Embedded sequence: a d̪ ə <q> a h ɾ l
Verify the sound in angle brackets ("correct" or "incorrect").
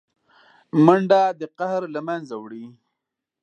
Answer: correct